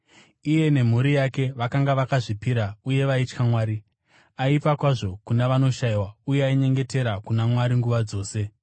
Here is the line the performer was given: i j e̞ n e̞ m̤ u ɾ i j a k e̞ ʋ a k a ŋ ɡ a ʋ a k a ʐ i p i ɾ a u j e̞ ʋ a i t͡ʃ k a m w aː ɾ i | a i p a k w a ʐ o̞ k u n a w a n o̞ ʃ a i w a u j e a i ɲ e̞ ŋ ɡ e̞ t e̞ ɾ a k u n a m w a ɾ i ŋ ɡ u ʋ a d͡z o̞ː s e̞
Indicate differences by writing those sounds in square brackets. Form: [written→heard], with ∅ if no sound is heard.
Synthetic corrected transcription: i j e̞ n e̞ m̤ u ɾ i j a k e̞ ʋ a k a ŋ ɡ a ʋ a k a ʐ i p i ɾ a u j e̞ ʋ a i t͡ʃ k a m w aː ɾ i | a i p a k w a ʐ o̞ k u n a [w→ʋ] a n o̞ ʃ a i w a u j e a i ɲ e̞ ŋ ɡ e̞ t e̞ ɾ a k u n a m w a ɾ i ŋ ɡ u ʋ a d͡z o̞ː s e̞